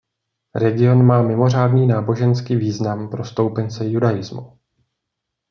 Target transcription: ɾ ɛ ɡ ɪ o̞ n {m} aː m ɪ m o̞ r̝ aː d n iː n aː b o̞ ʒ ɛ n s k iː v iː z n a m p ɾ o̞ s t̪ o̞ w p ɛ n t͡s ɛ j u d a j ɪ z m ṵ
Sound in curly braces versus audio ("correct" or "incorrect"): correct